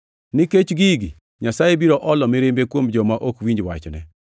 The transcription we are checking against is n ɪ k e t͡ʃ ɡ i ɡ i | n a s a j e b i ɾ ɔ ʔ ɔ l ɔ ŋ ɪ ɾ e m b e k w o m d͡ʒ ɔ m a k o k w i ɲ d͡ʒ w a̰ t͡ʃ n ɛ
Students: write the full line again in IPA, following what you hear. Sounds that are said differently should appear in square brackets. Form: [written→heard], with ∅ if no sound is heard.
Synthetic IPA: n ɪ k e t͡ʃ ɡ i ɡ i | [n→ɲ] a s a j e b i ɾ ɔ ʔ ɔ l ɔ [ŋ→m] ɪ ɾ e m b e k w o m d͡ʒ ɔ m a [k→ʔ] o k w i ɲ d͡ʒ w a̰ t͡ʃ n ɛ